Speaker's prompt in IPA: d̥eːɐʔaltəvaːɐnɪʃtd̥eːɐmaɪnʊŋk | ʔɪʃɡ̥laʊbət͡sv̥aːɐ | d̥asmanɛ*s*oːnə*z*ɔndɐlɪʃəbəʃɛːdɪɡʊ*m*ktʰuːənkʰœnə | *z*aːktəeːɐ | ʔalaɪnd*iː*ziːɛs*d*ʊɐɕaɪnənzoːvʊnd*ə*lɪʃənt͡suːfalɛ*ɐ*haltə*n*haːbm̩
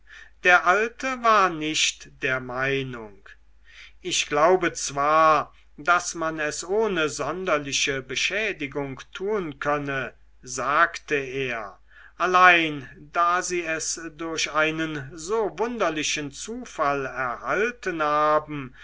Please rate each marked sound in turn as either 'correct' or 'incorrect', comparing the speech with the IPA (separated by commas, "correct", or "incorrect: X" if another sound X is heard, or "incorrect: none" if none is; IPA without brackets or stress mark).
correct, correct, incorrect: ŋ, correct, incorrect: aː, correct, incorrect: ɐ, correct, correct